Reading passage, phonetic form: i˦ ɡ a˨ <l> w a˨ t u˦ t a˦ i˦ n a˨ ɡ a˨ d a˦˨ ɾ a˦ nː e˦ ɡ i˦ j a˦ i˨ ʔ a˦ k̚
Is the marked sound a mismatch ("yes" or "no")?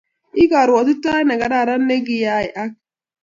yes